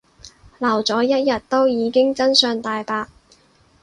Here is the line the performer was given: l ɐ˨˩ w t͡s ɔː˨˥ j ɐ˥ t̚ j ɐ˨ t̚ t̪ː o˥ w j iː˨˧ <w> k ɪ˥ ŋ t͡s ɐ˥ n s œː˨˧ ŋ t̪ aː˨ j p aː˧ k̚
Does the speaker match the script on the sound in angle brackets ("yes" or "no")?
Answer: no